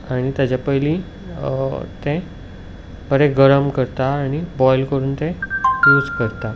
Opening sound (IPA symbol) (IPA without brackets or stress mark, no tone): a